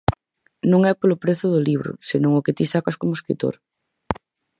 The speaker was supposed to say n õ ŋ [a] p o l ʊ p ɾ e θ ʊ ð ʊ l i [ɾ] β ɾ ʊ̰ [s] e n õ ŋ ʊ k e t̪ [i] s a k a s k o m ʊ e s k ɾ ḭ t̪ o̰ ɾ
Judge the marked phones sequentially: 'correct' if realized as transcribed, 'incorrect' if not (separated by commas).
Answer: incorrect, incorrect, correct, correct